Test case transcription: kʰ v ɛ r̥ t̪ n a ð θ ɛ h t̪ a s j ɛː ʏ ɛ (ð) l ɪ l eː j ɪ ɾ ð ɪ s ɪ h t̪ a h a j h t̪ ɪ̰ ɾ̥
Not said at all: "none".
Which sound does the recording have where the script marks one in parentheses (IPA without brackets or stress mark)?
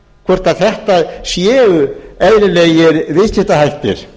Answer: ð